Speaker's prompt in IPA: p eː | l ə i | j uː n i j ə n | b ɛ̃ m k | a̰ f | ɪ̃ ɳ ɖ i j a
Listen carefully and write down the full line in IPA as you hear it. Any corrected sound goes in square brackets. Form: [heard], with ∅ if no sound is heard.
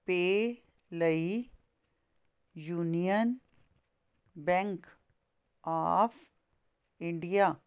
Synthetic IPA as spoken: p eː | l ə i | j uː n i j ə n | b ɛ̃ [ŋ] k | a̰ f | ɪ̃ ɳ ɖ i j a

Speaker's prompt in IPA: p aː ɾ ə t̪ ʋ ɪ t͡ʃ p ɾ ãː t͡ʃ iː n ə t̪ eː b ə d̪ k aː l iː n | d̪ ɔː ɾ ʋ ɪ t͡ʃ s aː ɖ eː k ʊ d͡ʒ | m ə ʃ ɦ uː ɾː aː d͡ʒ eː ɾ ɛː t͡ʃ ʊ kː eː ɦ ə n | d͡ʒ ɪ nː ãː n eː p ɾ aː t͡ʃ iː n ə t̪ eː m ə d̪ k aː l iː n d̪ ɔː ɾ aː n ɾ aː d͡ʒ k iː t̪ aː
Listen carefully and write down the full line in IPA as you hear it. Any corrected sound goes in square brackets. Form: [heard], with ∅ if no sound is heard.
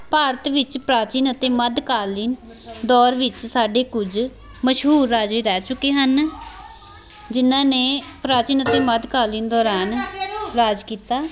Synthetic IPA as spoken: p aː ɾ ə t̪ ʋ ɪ t͡ʃ p ɾ [aː] t͡ʃ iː n ə t̪ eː [m] ə d̪ k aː l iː n | d̪ ɔː ɾ ʋ ɪ t͡ʃ s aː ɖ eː k ʊ d͡ʒ | m ə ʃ ɦ uː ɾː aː d͡ʒ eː ɾ ɛː t͡ʃ ʊ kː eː ɦ ə n | d͡ʒ ɪ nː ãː n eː p ɾ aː t͡ʃ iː n ə t̪ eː m ə d̪ k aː l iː n d̪ ɔː ɾ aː n ɾ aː d͡ʒ k iː t̪ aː

